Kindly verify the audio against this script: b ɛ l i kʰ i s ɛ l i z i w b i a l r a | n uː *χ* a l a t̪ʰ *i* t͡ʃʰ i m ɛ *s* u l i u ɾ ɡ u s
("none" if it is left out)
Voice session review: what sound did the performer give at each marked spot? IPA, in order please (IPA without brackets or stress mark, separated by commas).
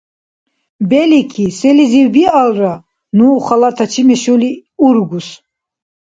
χ, a, ʃ